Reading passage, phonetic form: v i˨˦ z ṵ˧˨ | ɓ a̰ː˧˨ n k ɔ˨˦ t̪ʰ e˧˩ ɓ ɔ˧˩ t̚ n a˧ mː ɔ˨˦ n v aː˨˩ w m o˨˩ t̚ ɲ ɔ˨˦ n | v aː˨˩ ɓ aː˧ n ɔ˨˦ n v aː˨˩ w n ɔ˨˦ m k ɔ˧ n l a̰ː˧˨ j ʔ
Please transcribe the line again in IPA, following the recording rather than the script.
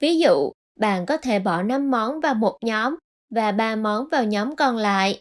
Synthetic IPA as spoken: v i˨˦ z ṵ˧˨ | ɓ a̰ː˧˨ n k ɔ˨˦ t̪ʰ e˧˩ ɓ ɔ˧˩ n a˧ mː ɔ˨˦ n v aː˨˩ w m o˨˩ t̚ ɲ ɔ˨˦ m | v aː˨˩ ɓ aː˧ m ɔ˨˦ n v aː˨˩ w ɲ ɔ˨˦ m k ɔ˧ n l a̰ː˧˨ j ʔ